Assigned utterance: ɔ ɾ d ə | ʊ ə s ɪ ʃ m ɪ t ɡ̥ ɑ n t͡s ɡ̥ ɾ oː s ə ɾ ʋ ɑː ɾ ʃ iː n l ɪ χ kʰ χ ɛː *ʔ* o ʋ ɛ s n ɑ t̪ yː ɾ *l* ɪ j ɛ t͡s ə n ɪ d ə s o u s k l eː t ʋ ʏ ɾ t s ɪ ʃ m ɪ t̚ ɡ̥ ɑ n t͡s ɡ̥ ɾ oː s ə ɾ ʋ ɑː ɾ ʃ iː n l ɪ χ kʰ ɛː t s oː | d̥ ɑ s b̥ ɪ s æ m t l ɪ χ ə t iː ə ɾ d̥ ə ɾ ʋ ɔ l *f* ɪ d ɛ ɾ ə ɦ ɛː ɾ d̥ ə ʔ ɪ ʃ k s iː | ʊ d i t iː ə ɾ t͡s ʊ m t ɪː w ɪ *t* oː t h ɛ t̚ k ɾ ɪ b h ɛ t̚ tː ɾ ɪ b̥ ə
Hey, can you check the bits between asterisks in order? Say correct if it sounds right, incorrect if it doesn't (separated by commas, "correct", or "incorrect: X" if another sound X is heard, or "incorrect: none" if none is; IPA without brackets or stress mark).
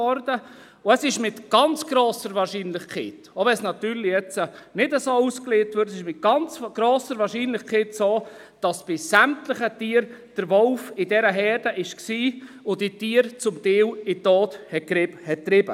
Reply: incorrect: t, correct, correct, correct